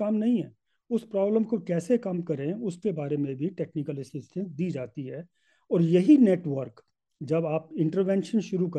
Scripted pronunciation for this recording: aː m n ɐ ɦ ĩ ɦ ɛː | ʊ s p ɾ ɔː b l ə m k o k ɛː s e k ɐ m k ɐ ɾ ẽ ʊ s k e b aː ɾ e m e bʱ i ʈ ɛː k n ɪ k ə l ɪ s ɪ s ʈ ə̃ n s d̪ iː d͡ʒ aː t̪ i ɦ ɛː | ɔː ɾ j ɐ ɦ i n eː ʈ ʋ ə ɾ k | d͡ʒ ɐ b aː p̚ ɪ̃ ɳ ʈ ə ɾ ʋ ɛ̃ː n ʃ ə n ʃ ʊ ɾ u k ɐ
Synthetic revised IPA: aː m n ɐ ɦ ĩ ɦ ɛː | ʊ s p ɾ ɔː b l ə m k o k ɛː s e k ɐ m k ɐ ɾ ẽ ʊ s k e b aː ɾ e m ẽ bʱ i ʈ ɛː k n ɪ k ə l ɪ s ɪ s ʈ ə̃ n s d̪ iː d͡ʒ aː t̪ i ɦ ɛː | ɔː ɾ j ɐ ɦ i n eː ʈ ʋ ə ɾ k | d͡ʒ ɐ b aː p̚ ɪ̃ ɳ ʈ ə ɾ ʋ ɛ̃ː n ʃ ə n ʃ ʊ ɾ u k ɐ